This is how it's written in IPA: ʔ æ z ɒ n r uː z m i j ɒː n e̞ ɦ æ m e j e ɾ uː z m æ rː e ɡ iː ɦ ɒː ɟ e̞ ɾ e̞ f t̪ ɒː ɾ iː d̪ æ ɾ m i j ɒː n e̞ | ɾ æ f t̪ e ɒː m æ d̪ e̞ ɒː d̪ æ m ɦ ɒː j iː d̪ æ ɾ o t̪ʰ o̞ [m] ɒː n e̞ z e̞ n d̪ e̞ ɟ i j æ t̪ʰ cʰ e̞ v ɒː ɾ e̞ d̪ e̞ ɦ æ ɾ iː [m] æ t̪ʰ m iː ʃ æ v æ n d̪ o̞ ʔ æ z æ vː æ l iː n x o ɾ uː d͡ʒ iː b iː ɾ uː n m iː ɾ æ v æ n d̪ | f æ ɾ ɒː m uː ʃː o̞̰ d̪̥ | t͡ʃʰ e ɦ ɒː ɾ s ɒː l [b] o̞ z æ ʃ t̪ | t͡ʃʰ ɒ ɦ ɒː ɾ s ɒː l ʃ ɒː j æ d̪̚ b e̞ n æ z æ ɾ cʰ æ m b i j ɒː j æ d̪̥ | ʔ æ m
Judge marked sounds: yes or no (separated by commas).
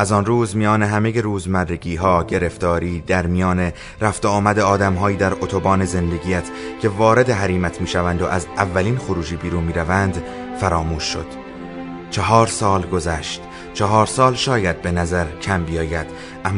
no, yes, no